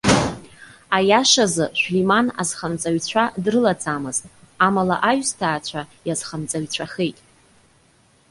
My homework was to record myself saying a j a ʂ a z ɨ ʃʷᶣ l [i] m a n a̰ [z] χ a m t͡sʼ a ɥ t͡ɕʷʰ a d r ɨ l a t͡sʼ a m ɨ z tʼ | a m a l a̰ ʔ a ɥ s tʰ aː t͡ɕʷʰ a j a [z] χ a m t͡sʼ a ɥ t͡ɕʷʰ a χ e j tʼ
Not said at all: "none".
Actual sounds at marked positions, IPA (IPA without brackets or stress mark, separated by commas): i, z, z